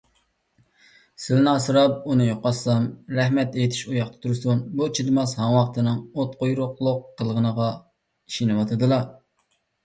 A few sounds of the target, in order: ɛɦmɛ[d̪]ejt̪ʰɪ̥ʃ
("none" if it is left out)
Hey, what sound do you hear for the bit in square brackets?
t̪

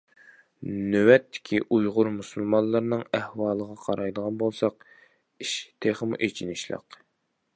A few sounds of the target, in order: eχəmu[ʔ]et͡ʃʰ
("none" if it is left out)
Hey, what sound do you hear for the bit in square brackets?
ʔ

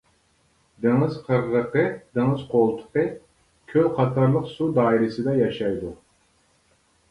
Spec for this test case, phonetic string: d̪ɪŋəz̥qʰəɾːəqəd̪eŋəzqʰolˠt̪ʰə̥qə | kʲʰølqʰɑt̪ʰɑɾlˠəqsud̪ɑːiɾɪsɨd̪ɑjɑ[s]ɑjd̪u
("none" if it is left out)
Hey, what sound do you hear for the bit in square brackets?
ʃ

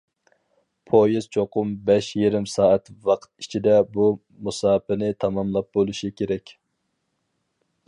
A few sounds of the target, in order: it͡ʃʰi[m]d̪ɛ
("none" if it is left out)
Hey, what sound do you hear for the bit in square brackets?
none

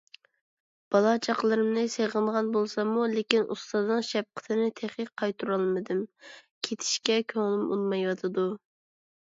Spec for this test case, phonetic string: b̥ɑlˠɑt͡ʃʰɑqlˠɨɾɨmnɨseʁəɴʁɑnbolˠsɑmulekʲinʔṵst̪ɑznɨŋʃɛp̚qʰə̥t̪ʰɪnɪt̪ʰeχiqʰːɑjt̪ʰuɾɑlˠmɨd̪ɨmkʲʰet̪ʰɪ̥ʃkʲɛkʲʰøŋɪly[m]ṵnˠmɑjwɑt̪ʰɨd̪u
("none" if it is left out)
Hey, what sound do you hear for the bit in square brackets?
m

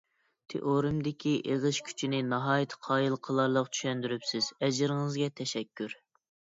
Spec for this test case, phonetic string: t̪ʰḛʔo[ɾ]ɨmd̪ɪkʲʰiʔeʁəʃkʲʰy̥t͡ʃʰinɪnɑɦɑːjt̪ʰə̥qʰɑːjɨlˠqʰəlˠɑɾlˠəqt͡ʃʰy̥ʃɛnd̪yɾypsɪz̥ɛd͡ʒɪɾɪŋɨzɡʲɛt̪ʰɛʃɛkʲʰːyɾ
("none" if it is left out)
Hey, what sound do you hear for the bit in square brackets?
ɾ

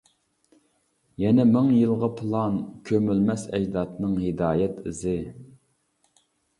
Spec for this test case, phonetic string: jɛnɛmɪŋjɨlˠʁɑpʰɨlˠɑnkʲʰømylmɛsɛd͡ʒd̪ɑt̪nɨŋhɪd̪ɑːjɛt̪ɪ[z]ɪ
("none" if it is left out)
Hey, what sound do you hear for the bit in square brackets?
z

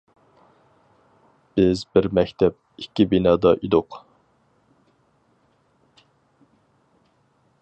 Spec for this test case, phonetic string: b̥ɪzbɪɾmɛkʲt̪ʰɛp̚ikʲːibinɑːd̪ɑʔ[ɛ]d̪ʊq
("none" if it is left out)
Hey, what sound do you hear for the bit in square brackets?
i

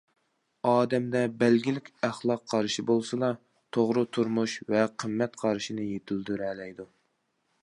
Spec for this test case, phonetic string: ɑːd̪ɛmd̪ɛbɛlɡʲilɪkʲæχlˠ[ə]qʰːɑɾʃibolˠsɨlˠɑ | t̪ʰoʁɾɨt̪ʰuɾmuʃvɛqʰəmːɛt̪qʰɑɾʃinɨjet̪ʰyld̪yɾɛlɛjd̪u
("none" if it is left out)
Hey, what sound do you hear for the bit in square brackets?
ɑ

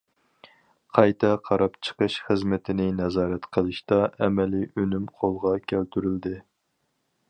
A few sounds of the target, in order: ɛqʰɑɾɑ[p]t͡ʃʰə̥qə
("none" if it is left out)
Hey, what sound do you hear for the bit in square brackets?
p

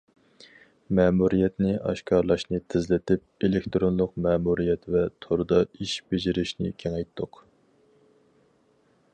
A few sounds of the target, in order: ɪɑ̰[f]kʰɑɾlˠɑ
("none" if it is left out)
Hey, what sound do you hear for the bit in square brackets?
ʃ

